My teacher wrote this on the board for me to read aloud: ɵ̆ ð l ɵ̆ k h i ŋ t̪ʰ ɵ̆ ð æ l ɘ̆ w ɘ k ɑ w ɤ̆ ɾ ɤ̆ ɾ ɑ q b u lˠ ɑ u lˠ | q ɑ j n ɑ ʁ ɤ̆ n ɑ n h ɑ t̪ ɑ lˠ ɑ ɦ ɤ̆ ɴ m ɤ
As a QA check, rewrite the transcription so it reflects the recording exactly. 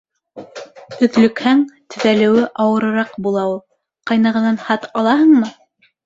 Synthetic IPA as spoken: ɵ̆ ð l ɵ̆ k h æ ŋ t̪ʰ ɵ̆ ð æ l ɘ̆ w ɘ ʔ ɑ w ɤ̆ ɾ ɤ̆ ɾ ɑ q b u lˠ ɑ u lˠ | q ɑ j n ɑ ʁ ɤ̆ n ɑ n h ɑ t̪ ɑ lˠ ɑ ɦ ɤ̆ ɴ m ɤ